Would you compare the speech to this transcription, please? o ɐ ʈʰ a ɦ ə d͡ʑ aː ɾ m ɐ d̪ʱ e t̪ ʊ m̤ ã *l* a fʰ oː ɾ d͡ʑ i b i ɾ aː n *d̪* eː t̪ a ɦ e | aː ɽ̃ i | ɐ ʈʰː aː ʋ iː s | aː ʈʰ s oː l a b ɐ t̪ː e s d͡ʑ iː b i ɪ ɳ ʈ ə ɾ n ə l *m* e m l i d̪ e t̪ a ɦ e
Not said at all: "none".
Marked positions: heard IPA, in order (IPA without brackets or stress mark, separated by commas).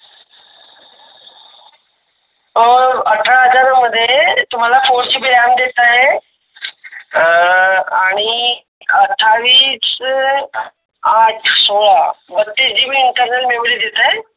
l, d̪, m